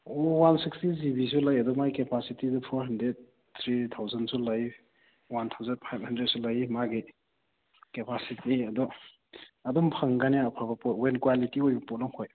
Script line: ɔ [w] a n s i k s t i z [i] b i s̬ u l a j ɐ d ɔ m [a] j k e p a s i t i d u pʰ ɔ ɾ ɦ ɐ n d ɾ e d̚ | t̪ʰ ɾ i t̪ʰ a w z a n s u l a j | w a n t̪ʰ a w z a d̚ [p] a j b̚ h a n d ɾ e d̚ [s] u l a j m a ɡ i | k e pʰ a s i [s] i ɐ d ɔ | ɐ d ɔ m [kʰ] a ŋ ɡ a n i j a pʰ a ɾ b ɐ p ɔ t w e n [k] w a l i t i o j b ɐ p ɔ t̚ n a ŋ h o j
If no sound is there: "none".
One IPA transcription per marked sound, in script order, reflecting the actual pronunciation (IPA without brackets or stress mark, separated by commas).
w, i, a, pʰ, s, t, pʰ, k